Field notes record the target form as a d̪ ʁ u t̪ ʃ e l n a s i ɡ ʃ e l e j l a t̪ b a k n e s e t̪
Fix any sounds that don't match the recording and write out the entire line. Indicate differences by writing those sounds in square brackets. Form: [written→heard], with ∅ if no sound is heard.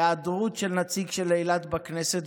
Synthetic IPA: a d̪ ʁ u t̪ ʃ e l n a [s→t͡s] i ɡ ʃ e l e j l a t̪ b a k n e s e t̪